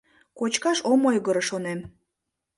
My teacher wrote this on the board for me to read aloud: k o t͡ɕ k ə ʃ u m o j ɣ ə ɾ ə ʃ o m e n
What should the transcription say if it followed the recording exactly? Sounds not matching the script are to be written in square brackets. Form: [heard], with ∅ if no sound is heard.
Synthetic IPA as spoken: k o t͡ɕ k [ɑ] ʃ [o] m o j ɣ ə ɾ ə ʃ o [n] e [m]